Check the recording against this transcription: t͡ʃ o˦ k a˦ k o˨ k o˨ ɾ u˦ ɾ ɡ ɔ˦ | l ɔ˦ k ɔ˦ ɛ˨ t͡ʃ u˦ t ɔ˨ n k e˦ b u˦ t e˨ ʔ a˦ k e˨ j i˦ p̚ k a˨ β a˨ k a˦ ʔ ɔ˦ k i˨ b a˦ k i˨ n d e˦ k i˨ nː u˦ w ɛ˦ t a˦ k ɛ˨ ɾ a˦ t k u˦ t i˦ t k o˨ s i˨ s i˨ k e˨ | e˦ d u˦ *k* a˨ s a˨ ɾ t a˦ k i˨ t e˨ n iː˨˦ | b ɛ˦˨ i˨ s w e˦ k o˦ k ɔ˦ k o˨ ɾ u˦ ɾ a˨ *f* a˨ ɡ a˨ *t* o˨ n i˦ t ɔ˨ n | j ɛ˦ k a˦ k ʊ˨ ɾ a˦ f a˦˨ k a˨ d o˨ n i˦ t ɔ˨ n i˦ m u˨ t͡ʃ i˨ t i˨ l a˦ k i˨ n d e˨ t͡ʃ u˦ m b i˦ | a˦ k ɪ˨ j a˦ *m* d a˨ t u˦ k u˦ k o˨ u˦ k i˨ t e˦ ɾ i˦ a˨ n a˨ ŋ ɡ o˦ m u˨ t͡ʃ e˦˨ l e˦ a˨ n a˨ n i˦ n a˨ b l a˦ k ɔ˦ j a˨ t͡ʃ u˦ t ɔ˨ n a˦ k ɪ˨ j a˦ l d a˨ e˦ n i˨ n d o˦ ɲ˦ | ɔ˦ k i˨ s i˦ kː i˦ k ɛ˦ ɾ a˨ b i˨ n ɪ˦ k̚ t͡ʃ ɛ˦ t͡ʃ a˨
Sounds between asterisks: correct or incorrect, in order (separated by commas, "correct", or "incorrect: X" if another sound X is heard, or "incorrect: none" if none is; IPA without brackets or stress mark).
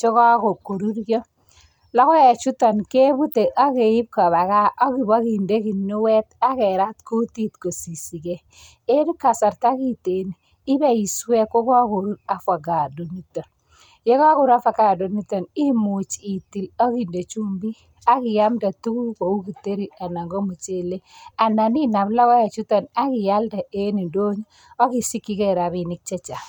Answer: correct, correct, incorrect: d, correct